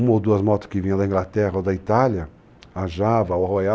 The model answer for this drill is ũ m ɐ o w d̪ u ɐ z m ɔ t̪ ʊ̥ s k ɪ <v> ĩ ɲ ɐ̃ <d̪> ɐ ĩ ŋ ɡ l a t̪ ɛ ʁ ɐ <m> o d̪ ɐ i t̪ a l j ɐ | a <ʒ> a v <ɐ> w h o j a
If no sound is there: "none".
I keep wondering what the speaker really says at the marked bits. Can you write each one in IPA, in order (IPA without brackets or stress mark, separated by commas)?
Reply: v, d̪, none, ʒ, ɐ